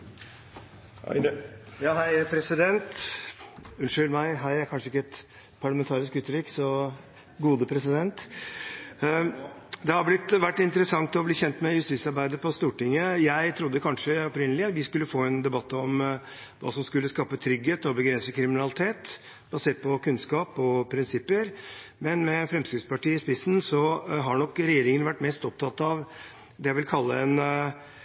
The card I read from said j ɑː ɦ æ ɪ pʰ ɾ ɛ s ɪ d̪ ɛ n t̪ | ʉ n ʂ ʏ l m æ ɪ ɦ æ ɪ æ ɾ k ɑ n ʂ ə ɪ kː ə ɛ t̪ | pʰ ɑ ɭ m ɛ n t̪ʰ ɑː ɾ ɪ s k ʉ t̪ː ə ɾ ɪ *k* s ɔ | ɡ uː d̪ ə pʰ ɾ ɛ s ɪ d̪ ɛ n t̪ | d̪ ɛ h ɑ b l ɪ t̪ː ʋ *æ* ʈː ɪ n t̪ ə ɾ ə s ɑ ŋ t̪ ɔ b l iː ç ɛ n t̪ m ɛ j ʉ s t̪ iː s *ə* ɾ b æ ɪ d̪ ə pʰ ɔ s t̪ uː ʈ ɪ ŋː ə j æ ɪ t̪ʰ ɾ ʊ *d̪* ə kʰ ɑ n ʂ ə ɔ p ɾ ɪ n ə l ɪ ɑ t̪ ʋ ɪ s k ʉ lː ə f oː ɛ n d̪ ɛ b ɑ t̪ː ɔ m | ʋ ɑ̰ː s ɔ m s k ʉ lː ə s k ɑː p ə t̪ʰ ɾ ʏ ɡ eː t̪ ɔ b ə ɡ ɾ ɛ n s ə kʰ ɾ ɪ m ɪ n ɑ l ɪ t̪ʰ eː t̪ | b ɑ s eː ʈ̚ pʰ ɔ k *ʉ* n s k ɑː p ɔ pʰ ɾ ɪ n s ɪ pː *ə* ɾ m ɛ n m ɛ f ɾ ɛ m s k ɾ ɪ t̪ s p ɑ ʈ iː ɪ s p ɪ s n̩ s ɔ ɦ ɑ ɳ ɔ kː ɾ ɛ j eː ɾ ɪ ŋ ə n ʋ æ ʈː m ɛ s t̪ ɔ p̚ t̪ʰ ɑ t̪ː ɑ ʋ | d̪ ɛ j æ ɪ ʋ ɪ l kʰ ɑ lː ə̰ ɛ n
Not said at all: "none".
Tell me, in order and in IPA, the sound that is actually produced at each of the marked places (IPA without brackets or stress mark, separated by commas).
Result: k, æ, ɑ, d̪ː, ʉ, ə